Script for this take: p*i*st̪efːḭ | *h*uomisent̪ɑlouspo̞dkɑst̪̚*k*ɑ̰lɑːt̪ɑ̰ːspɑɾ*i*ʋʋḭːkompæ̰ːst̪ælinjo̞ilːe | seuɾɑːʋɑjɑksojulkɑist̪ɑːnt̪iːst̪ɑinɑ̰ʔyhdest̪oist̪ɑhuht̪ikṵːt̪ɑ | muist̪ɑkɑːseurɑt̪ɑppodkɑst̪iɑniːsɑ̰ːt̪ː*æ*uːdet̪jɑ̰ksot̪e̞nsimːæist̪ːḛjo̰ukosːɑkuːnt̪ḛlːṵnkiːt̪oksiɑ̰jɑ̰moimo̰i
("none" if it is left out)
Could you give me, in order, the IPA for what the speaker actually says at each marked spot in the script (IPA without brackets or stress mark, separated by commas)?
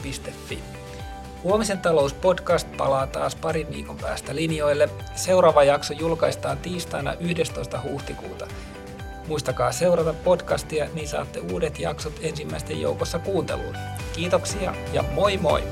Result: i, h, p, i, e